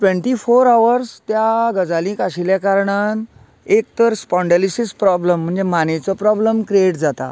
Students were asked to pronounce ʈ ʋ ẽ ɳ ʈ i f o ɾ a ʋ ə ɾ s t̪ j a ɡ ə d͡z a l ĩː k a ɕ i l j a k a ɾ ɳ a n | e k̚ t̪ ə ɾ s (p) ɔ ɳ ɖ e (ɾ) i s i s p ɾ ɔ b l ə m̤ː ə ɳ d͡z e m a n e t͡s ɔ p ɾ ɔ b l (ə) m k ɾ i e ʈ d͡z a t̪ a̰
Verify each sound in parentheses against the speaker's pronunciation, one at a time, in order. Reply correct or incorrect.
correct, incorrect, correct

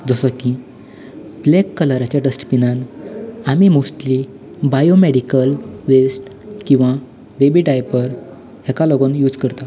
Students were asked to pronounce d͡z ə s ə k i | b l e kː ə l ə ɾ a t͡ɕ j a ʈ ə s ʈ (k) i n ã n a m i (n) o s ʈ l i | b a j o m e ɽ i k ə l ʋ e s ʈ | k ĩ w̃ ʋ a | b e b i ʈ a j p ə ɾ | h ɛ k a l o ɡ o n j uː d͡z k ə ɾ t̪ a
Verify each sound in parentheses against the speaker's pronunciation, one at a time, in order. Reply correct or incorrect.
incorrect, incorrect

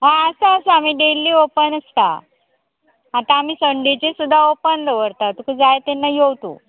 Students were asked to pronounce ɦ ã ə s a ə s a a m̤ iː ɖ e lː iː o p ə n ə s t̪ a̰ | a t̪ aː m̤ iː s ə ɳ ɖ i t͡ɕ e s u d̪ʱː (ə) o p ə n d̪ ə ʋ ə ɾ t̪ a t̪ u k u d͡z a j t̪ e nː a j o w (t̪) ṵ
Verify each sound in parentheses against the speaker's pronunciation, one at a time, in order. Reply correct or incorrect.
incorrect, correct

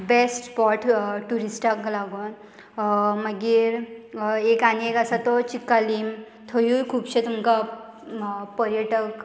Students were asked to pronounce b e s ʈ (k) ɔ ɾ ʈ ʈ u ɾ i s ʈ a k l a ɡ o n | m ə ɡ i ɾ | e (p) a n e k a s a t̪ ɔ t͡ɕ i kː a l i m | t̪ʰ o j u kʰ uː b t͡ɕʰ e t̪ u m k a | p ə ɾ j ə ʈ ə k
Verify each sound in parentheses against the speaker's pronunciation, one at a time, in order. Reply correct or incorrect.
incorrect, incorrect

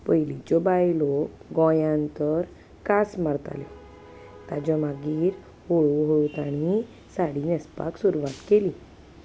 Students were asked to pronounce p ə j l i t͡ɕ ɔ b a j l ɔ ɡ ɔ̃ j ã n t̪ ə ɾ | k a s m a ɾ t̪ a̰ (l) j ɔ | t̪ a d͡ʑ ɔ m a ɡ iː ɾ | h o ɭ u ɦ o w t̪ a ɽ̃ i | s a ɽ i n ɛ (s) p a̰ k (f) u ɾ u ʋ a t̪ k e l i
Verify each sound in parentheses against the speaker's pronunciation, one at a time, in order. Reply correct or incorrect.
correct, correct, incorrect

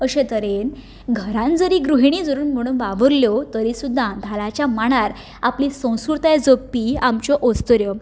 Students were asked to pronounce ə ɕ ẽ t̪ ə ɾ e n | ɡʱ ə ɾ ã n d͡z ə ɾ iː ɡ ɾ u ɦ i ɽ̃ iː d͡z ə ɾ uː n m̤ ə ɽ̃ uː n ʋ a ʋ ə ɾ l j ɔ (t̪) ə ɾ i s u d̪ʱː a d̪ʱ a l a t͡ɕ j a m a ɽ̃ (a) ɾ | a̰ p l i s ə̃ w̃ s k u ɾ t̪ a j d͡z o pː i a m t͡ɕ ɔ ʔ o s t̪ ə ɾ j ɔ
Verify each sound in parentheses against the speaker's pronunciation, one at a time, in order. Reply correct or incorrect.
correct, correct

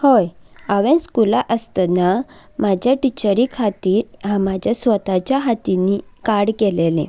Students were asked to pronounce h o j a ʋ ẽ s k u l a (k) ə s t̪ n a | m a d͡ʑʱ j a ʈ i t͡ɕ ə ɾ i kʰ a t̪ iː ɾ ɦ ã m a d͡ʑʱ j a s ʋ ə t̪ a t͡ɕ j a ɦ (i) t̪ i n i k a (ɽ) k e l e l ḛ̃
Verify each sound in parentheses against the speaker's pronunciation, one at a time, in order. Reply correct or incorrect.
incorrect, incorrect, correct

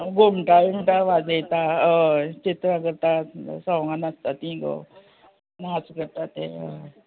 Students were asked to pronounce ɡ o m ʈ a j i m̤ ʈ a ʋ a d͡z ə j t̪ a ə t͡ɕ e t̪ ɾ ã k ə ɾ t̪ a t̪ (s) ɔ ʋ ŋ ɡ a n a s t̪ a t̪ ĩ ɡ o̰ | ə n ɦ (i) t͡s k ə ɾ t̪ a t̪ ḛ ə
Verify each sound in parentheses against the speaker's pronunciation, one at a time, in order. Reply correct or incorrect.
correct, incorrect

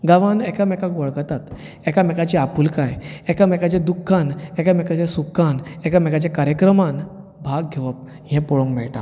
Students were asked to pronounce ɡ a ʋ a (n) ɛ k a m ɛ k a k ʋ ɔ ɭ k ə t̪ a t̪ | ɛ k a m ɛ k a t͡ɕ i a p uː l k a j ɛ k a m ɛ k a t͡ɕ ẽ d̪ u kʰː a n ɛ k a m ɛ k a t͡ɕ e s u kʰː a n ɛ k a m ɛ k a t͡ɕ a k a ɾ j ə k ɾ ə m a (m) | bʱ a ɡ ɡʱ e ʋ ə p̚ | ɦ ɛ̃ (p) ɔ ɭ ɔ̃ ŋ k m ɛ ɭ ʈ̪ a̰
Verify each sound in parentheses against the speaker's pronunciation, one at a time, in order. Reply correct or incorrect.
correct, incorrect, correct

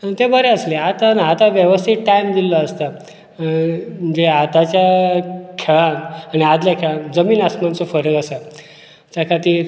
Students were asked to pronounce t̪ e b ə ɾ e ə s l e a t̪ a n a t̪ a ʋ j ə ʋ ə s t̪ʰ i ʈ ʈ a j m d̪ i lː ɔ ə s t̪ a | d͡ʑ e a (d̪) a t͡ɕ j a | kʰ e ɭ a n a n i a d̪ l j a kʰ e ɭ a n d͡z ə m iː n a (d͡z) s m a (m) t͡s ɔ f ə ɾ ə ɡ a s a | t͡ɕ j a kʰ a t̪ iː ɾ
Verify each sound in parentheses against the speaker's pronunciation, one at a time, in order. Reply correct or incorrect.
incorrect, incorrect, incorrect

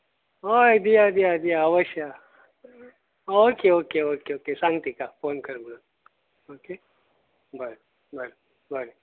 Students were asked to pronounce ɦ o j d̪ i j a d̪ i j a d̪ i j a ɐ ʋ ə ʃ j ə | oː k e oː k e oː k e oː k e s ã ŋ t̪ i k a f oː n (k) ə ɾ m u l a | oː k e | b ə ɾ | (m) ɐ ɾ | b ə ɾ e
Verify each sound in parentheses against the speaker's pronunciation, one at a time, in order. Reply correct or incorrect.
correct, incorrect

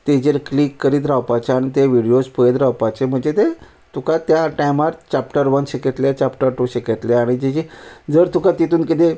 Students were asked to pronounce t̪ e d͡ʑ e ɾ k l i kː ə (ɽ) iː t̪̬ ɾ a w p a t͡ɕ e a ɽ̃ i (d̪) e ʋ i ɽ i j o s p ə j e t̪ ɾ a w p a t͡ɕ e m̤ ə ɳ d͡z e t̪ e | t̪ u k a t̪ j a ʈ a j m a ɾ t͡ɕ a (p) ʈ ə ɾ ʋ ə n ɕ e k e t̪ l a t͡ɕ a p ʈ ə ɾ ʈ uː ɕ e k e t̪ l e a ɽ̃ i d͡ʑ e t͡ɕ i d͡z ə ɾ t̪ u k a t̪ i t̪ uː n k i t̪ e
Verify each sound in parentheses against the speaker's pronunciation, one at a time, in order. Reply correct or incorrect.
incorrect, incorrect, correct

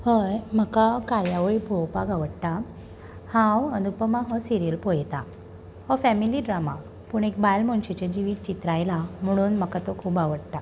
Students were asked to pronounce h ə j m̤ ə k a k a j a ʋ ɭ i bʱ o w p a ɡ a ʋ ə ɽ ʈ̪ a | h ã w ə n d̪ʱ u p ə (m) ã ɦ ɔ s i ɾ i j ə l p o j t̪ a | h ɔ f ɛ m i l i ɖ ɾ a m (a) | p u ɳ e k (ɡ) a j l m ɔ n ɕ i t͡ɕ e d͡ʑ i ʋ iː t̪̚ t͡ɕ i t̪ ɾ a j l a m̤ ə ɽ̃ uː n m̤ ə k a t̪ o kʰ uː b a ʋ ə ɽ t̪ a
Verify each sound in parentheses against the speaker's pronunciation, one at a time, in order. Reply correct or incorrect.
correct, correct, incorrect

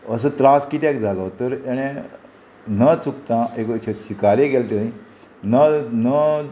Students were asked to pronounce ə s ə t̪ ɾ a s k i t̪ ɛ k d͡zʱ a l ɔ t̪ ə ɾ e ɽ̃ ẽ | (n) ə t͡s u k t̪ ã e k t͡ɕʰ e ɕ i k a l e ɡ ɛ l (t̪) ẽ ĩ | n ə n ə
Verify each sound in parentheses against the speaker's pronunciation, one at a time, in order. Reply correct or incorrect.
correct, correct

